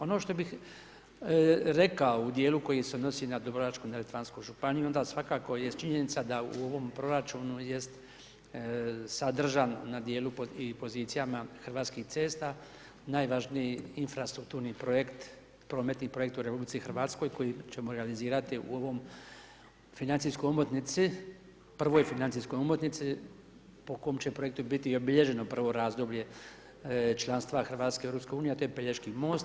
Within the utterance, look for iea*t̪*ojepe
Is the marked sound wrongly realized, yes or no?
no